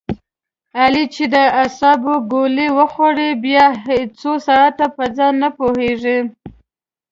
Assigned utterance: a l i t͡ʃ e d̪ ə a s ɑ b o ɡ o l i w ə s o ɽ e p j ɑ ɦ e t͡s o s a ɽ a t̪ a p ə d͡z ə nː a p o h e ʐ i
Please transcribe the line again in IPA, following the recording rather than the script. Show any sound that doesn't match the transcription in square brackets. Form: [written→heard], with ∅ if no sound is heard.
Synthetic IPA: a l i t͡ʃ e d̪ ə a s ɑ b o ɡ o l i w ə [s→x] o ɽ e [p→b] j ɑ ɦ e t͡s o s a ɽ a t̪ a p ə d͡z [ə→ɑ] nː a p o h e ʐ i